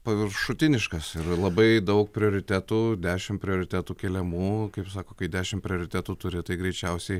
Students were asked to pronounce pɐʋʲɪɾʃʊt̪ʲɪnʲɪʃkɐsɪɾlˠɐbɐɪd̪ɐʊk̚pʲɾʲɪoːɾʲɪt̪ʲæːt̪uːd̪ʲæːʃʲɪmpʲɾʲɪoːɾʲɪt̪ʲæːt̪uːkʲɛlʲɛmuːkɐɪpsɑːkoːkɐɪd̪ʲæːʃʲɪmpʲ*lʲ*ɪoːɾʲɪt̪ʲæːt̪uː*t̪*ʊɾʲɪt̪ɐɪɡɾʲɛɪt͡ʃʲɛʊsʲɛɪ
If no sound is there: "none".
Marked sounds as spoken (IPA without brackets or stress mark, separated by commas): ɾʲ, t̪